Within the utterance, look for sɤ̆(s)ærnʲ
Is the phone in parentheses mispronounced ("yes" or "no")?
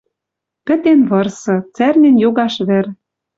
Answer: yes